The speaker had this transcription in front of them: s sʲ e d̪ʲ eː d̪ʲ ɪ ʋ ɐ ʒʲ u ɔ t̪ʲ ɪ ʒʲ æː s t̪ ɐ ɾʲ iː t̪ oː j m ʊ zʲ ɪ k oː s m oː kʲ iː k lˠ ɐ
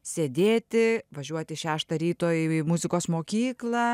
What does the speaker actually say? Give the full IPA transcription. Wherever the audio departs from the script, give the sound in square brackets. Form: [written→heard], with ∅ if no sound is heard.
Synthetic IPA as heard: s sʲ e d̪ʲ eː [d̪ʲ→t̪ʲ] ɪ ʋ ɐ ʒʲ u ɔ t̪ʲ ɪ [ʒʲ→ʃʲ] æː [s→ʃ] t̪ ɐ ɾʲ iː t̪ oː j m ʊ zʲ ɪ k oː s m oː kʲ iː k lˠ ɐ